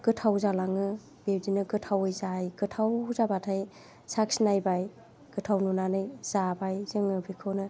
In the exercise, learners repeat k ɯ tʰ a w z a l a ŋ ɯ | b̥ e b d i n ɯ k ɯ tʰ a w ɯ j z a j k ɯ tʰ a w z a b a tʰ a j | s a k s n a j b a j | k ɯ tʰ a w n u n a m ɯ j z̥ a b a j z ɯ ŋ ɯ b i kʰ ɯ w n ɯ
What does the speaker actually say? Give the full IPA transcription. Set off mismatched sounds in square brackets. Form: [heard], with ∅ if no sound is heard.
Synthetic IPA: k ɯ tʰ a w z a l a ŋ ɯ | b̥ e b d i n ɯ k ɯ tʰ a w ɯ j z a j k ɯ tʰ a w z a b a tʰ a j | s a k s n a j b a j | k ɯ tʰ a w n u n a [n] ɯ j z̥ a b a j z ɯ ŋ ɯ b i kʰ ɯ w n ɯ